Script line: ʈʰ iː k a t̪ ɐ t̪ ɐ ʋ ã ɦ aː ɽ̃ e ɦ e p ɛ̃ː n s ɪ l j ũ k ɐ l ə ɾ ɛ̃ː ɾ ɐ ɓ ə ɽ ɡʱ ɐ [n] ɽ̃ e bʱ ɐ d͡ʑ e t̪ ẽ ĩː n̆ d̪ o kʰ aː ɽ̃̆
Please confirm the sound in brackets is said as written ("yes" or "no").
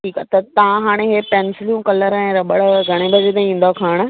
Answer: no